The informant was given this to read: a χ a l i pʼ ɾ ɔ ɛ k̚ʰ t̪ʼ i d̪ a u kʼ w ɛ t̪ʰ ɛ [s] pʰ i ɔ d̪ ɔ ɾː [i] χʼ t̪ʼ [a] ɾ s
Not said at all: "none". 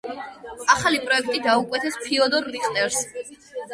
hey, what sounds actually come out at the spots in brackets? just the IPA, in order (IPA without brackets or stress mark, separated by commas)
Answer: s, i, ɛ